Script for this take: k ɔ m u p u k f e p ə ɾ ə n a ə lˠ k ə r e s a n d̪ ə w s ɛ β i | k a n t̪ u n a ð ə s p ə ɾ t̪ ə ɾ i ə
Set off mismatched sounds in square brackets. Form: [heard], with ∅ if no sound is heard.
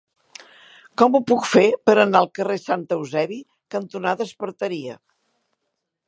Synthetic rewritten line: k ɔ m u p u k f e p ə ɾ ə n a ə lˠ k ə r e s a n [t̪] ə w [z] ɛ β i | k [ə] n t̪ u n a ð ə s p ə ɾ t̪ ə ɾ i ə